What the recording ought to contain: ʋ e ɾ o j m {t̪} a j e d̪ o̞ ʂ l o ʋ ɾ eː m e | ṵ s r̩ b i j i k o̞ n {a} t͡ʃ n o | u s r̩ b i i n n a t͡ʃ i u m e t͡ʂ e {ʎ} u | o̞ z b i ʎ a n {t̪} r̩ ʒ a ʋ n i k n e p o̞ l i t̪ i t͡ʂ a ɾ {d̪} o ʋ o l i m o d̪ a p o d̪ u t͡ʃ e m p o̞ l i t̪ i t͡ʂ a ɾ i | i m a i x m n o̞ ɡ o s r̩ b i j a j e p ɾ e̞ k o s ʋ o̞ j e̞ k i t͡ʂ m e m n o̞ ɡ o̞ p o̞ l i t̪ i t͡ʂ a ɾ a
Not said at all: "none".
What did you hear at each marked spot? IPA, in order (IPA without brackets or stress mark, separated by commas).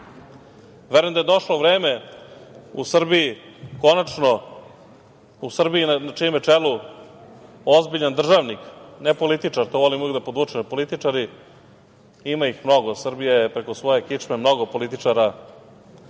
d̪, a, l, d̪, t̪